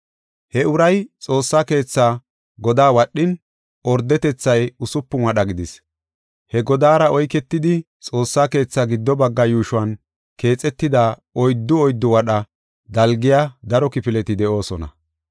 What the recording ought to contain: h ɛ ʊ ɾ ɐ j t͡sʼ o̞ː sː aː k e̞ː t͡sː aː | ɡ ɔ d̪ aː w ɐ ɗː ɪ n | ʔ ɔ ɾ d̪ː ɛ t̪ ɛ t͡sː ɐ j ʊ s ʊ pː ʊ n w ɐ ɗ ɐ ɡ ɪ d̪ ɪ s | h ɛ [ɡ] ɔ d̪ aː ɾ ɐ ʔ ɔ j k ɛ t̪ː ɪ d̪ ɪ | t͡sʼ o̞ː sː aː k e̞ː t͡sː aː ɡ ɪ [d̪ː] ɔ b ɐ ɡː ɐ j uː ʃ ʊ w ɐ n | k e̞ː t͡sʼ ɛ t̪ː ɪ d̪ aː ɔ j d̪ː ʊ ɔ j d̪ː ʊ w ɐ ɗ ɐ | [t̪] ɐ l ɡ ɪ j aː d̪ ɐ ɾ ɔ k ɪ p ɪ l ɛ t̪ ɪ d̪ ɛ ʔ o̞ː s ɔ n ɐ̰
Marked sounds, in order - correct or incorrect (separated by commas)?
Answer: correct, correct, incorrect